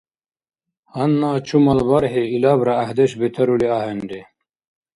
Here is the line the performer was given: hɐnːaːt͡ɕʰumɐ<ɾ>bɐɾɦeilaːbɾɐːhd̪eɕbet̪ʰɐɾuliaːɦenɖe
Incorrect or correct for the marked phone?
incorrect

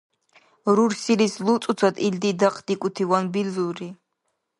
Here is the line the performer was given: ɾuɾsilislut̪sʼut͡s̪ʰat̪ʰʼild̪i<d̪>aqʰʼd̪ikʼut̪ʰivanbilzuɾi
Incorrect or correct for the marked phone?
correct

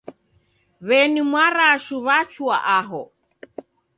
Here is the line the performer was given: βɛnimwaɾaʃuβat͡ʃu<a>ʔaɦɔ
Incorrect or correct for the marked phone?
correct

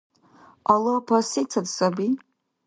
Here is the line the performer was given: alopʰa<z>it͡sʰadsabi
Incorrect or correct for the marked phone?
incorrect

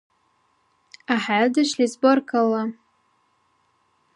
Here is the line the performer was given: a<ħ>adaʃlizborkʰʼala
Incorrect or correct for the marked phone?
correct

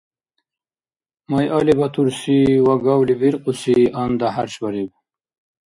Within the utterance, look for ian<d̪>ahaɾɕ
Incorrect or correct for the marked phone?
correct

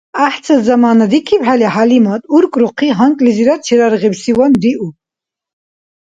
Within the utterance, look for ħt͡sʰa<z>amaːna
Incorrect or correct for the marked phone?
correct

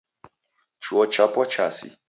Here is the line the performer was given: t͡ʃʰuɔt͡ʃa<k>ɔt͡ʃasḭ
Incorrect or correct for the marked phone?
incorrect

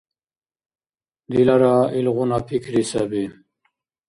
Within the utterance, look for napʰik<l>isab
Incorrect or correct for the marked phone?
incorrect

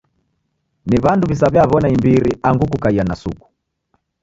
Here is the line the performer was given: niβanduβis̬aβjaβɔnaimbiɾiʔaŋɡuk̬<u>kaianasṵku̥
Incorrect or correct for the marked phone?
correct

